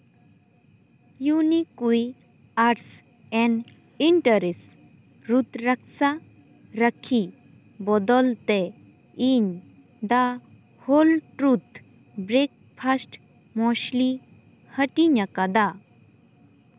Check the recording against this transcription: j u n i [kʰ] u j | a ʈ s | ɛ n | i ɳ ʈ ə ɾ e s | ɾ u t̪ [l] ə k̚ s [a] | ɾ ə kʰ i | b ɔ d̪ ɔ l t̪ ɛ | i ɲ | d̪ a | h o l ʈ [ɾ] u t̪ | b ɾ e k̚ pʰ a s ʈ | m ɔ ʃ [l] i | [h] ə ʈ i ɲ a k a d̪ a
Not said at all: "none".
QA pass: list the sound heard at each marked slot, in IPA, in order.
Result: k, ɾ, a, ɾ, l, h

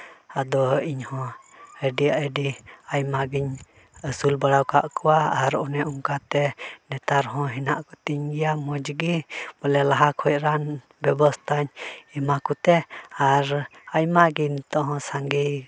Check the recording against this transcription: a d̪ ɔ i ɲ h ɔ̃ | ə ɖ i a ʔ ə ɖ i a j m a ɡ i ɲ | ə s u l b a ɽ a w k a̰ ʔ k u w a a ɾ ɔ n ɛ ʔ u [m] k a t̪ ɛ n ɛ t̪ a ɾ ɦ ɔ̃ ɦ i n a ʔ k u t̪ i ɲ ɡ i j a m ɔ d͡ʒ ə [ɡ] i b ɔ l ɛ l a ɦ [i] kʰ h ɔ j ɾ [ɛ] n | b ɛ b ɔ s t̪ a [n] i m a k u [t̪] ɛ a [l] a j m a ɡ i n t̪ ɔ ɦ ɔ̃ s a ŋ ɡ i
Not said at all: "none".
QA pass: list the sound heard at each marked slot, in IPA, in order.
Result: ŋ, ɡ, a, a, ɲ, t̪, ɾ

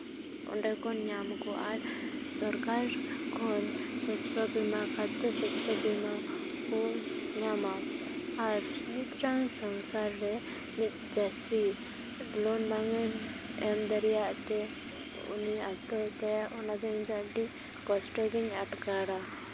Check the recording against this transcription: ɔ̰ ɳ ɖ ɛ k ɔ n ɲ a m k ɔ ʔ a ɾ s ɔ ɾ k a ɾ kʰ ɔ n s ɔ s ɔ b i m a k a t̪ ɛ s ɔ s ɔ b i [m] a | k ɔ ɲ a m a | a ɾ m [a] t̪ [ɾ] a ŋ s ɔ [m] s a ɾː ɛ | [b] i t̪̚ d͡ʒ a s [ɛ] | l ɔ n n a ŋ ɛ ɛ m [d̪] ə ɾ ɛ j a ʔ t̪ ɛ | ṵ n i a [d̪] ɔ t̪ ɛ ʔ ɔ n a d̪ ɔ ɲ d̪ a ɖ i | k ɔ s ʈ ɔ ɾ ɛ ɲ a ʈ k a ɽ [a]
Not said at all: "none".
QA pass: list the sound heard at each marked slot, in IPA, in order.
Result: m, i, ɾ, ŋ, m, i, d̪, t̪, a

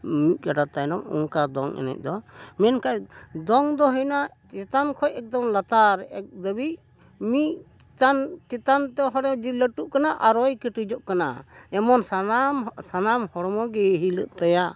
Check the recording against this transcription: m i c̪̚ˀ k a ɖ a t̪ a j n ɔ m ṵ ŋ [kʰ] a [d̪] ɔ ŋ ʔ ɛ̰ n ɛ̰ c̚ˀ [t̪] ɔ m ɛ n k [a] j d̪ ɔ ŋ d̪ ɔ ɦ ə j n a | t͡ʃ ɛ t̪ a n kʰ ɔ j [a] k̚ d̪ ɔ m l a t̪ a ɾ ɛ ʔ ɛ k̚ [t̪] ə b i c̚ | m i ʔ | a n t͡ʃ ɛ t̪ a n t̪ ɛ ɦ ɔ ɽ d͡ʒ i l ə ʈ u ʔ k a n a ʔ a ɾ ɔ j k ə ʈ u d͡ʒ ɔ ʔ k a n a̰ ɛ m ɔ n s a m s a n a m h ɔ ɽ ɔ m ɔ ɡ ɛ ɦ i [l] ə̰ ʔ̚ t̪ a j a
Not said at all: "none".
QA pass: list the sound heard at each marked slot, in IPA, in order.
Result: k, d̪, d̪, a, ɛ, d̪, l

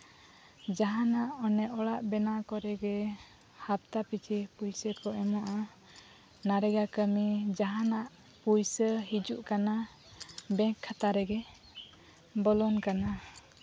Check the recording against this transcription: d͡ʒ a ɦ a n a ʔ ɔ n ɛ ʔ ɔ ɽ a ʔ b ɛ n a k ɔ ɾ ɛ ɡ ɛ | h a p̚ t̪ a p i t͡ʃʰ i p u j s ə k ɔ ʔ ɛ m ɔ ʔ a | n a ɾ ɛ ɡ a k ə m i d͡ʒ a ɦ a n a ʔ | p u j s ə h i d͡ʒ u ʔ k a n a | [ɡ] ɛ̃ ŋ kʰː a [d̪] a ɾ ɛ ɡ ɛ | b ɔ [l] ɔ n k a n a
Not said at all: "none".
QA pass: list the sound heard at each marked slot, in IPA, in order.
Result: b, t̪, l

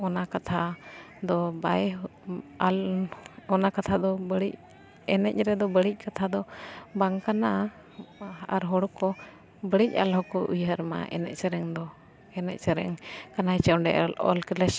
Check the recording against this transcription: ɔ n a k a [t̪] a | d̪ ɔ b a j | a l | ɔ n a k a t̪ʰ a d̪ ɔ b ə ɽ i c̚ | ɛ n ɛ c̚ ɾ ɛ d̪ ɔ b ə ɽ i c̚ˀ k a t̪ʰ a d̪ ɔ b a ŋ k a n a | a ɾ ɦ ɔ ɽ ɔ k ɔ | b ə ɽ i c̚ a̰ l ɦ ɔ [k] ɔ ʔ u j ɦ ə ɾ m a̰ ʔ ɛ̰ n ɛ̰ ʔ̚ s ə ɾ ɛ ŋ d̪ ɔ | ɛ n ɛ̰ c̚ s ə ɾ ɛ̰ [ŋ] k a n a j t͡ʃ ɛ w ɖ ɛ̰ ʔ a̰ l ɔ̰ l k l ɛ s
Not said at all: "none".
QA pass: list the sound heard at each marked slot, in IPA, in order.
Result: t̪ʰ, k, ŋ

